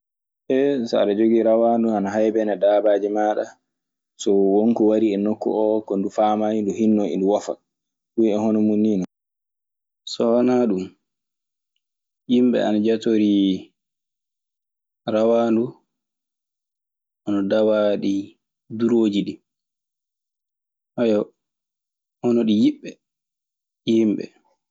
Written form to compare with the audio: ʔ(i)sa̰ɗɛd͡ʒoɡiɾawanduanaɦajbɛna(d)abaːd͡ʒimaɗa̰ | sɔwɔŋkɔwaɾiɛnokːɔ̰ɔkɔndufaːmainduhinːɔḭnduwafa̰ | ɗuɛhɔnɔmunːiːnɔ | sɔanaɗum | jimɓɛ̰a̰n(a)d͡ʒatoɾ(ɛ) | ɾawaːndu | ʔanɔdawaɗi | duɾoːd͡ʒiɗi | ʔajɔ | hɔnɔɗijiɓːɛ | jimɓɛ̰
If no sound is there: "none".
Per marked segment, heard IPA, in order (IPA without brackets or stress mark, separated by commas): ɛ, d, a, i